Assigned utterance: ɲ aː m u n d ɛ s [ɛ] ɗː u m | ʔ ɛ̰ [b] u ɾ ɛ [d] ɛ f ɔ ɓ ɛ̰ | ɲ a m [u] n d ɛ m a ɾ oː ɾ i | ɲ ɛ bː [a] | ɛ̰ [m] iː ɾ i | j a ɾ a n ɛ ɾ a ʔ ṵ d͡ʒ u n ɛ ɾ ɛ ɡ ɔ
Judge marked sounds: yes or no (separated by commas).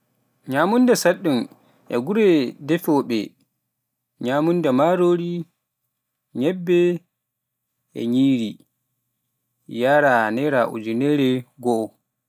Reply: no, no, yes, yes, no, no